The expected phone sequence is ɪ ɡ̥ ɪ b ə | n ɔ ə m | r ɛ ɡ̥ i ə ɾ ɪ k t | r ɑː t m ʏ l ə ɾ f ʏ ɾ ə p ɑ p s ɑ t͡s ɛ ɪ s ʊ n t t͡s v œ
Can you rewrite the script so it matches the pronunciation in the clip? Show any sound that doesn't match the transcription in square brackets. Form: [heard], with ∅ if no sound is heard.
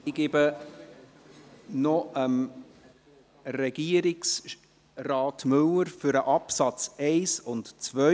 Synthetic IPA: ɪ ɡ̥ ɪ b ə | n ɔ ə m | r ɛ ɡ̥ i ə ɾ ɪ k [s] | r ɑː t m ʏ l ə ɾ f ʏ ɾ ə [ʔ] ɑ p s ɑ t͡s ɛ ɪ s ʊ n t t͡s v œ

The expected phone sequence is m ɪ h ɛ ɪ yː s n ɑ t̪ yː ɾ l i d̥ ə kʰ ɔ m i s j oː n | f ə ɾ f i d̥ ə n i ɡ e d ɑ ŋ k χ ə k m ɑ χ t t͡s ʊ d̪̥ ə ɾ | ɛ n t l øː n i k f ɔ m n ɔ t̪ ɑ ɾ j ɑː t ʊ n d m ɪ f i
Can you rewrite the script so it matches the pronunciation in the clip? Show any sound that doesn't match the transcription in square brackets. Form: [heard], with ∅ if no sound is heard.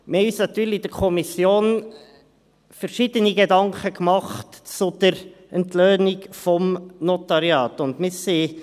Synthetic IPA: m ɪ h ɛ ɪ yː s n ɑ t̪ yː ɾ l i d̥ ə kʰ ɔ m i s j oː n | f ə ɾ [ʃ] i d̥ ə n i ɡ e d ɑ ŋ k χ ə k m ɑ χ t t͡s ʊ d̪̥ ə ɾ | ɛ n t l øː n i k f ɔ m n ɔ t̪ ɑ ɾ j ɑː t ʊ n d m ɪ [s] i

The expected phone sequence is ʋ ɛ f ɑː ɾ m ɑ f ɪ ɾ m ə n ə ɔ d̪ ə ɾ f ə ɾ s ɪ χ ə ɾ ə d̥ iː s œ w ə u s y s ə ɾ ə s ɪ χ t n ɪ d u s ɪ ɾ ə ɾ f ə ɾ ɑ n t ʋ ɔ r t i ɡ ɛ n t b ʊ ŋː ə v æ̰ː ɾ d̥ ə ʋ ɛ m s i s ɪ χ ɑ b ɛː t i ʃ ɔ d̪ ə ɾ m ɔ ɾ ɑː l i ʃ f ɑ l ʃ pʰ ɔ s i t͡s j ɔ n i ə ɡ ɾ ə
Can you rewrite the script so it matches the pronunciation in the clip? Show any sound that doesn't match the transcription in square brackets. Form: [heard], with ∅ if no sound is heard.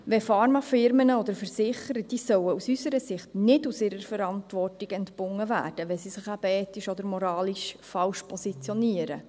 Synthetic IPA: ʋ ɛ f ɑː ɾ m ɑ f ɪ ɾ m ə n ə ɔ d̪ ə ɾ f ə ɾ s ɪ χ ə ɾ ə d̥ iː s œ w ə u s y s ə ɾ ə s ɪ χ t n ɪ d u s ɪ ɾ ə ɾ f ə ɾ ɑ n t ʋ ɔ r t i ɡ ɛ n t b ʊ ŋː ə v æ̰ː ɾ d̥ ə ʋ ɛ [∅] s i s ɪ χ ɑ b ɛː t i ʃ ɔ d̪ ə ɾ m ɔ ɾ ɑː l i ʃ f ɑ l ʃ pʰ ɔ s i t͡s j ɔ n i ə [∅] ɾ ə

